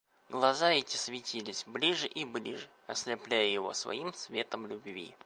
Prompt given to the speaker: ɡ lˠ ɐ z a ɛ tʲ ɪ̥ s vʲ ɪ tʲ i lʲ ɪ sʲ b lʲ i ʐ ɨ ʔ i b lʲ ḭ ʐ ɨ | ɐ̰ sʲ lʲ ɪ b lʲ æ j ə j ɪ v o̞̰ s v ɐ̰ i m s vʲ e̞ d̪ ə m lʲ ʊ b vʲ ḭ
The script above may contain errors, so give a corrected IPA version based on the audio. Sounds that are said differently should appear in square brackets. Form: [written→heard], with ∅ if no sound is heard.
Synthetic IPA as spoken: ɡ lˠ ɐ z a ɛ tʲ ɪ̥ s vʲ ɪ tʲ i lʲ ɪ sʲ b lʲ i ʐ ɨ ʔ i b lʲ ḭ ʐ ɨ | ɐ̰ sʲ lʲ ɪ [b→p] lʲ æ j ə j ɪ v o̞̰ s v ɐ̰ i m s vʲ e̞ [d̪→t̪] ə m lʲ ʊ b vʲ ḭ